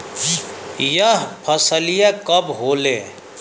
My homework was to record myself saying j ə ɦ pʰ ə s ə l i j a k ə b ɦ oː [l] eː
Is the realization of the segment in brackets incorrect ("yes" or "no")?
no